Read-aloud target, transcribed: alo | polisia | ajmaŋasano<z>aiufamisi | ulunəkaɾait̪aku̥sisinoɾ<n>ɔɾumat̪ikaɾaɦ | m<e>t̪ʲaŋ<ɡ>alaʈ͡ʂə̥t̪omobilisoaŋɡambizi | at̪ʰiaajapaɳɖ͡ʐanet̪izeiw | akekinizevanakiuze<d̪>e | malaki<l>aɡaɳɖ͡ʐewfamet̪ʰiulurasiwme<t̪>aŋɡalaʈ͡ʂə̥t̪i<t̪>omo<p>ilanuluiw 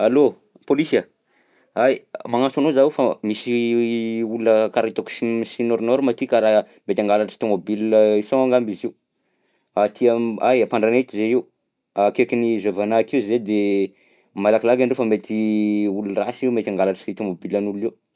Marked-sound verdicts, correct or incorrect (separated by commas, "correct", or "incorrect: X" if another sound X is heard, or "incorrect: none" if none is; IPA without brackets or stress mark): correct, correct, correct, correct, correct, correct, correct, correct, incorrect: b